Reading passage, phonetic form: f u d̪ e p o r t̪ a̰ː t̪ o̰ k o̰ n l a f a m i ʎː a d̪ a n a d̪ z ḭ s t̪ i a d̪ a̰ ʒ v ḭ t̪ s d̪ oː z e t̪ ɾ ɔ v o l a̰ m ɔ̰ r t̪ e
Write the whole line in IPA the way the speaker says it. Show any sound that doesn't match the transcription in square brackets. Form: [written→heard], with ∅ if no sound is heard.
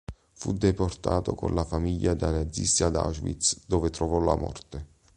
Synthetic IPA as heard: f u d̪ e p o r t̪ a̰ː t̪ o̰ k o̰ n l a f a m i ʎː a d̪ a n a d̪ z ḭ s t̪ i a d̪ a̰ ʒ v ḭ t̪ s d̪ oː [z→v] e t̪ ɾ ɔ v [o→ɔ] l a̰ m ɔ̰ r t̪ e